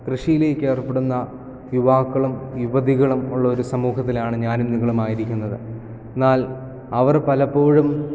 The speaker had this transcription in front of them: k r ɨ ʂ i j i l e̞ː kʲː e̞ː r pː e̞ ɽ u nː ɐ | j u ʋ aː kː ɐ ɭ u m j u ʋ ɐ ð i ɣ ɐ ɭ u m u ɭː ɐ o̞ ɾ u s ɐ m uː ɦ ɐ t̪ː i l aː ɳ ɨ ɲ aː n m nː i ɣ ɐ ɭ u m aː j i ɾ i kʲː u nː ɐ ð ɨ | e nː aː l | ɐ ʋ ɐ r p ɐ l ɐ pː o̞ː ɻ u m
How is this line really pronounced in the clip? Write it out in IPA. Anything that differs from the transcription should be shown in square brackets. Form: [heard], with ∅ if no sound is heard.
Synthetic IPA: k r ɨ ʂ i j i l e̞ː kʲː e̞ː r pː e̞ ɽ u nː ɐ | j u ʋ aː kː ɐ ɭ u m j u ʋ ɐ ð i ɣ ɐ ɭ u m u ɭː ɐ o̞ ɾ u s ɐ m uː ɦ ɐ t̪ː i l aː ɳ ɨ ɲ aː n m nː i ɣ ɐ ɭ u m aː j i ɾ i kʲː u nː ɐ ð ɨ | e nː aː l | ɐ ʋ ɐ r p ɐ l ɐ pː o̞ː ɻ u m